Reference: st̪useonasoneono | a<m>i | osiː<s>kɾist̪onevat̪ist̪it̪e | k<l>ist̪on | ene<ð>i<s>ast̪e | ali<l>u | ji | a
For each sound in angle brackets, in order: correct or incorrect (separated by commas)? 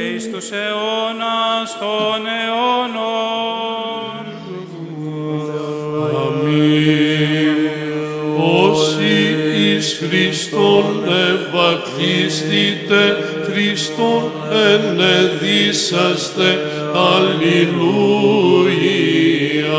correct, correct, incorrect, correct, correct, correct